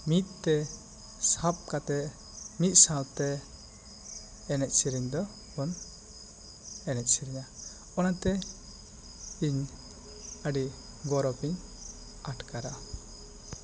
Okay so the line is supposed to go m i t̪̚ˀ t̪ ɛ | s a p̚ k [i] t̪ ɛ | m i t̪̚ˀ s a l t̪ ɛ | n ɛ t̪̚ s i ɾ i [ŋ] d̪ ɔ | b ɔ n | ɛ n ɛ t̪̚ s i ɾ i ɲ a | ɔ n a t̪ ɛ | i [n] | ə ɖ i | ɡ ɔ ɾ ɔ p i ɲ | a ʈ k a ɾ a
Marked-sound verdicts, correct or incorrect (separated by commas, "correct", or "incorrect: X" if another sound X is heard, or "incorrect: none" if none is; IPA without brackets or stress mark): incorrect: a, incorrect: ɲ, incorrect: ɲ